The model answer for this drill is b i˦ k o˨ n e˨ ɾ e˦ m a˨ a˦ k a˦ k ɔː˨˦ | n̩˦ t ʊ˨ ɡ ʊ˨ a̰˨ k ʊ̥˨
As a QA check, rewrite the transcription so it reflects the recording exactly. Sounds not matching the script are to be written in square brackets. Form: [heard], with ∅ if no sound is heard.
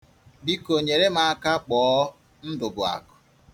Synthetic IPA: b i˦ k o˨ [ɲ] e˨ ɾ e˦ m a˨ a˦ k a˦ [k͡p] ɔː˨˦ | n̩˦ [d] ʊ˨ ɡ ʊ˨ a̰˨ k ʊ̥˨